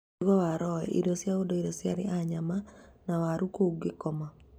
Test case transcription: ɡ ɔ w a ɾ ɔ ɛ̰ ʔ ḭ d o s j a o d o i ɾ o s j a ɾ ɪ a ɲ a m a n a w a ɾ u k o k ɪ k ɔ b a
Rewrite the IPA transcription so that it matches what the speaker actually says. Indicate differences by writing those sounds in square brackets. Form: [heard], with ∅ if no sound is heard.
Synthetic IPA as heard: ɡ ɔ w a ɾ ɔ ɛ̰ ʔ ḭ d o s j a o d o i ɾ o s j a ɾ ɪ a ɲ a m a n a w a ɾ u k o [ɡ] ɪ k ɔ [m] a